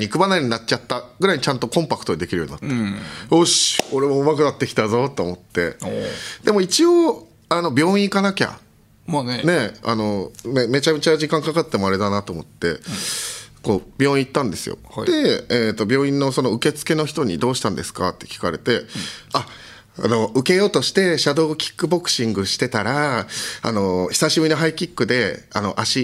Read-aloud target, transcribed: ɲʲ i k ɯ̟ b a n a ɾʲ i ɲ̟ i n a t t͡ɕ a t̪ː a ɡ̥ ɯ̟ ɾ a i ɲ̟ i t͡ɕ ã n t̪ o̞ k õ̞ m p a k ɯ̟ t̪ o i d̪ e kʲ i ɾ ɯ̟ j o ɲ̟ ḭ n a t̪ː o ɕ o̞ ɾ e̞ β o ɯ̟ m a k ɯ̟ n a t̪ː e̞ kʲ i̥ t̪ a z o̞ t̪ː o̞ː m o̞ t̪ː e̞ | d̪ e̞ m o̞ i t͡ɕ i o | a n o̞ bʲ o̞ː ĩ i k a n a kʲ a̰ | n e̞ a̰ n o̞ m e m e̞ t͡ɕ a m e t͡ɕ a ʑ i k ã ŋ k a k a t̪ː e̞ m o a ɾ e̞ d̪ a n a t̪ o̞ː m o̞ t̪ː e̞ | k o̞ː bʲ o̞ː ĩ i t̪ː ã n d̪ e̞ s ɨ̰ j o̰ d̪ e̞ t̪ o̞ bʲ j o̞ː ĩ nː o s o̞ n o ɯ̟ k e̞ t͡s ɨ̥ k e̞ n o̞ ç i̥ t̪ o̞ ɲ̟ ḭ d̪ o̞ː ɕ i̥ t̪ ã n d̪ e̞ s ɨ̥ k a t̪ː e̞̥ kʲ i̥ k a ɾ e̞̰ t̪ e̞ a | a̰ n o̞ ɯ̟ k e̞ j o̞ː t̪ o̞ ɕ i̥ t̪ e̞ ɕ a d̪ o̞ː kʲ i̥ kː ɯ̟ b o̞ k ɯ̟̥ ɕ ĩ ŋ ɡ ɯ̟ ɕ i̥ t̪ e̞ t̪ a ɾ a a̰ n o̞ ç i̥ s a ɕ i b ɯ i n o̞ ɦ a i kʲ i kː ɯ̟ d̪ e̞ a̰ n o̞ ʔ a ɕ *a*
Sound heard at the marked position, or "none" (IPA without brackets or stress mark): i